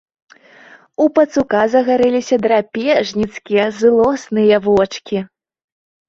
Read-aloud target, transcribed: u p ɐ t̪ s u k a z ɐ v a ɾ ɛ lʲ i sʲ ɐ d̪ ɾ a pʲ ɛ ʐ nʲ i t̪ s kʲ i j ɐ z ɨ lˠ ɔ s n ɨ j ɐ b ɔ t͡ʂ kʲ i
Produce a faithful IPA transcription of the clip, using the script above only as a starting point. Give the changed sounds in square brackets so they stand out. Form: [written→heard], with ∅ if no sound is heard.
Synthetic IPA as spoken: u p ɐ t̪ s u k a z ɐ [v→ɣ] a ɾ ɛ lʲ i sʲ ɐ d̪ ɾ a pʲ ɛ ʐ nʲ i t̪ s kʲ i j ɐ z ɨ lˠ ɔ s n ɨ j ɐ [b→v] ɔ t͡ʂ kʲ i